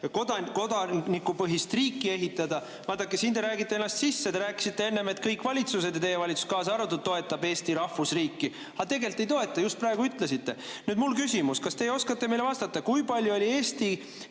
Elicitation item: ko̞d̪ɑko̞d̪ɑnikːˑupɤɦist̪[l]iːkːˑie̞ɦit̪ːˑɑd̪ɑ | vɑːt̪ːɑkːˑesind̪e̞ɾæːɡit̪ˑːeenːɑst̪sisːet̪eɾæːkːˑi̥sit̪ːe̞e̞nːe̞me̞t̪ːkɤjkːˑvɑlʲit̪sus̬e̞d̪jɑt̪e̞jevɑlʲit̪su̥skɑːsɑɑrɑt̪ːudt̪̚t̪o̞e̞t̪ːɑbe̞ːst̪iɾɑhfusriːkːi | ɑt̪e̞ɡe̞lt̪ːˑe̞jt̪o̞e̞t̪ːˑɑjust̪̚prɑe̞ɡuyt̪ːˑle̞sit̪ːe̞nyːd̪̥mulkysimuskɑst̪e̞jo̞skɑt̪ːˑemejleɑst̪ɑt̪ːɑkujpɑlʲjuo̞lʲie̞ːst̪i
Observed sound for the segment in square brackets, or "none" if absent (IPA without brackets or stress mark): r